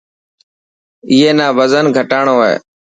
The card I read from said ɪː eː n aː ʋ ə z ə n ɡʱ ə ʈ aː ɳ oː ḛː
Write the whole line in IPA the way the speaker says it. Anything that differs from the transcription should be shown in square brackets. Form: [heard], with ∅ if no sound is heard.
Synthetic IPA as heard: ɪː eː n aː ʋ ə z ə n ɡʱ ə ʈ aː ɳ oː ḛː